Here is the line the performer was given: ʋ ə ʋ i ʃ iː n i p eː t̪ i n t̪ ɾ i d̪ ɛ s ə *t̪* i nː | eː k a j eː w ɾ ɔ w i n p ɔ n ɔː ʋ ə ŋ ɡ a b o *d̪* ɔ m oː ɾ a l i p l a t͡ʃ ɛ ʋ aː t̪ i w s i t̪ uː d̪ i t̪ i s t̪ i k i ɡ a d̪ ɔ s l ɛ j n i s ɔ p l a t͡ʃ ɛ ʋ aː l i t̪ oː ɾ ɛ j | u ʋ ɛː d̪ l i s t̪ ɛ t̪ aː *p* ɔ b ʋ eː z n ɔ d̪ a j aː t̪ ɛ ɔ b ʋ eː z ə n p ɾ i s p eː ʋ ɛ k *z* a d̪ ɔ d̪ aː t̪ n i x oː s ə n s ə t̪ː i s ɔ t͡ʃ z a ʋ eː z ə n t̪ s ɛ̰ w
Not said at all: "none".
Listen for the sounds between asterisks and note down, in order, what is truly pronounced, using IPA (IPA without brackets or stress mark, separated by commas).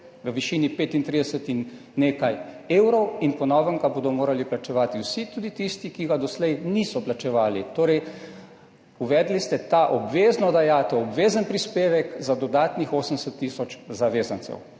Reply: t̪, d̪, ʔ, z